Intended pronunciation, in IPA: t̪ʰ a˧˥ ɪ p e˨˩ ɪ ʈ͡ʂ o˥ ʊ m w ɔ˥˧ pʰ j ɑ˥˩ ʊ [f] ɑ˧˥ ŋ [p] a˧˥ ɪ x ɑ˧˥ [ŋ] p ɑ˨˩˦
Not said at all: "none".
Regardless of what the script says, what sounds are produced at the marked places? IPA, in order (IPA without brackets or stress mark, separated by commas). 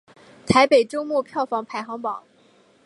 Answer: f, pʰ, ŋ